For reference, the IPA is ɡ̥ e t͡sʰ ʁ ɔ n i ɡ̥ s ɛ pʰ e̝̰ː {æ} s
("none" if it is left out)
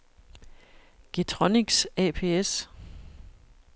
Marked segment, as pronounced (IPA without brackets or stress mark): e